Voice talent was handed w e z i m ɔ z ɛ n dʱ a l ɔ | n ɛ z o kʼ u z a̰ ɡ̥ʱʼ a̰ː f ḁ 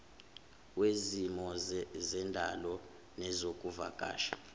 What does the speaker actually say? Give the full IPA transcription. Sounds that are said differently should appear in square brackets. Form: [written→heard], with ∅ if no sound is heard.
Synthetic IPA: w e z i m ɔ z ɛ n dʱ a l ɔ | n ɛ z o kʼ u [z→v] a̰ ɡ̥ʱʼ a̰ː [f→ʃ] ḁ